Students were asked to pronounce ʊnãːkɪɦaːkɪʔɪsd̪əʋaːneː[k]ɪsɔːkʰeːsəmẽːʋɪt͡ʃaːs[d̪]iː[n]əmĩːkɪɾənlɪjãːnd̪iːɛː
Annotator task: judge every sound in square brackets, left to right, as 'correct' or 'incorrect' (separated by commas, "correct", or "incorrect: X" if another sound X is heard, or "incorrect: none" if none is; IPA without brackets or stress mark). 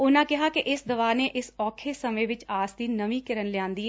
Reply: incorrect: ʔ, correct, correct